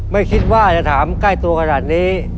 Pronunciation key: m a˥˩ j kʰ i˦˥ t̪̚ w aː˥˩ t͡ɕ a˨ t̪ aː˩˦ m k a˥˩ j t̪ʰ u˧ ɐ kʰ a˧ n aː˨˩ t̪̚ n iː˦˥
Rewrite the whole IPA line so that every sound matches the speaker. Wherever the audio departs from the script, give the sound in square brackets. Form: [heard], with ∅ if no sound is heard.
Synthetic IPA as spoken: m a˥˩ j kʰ i˦˥ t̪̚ w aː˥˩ t͡ɕ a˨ [t̪ʰ] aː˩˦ m k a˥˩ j [t̪] u˧ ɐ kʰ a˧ n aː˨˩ t̪̚ n iː˦˥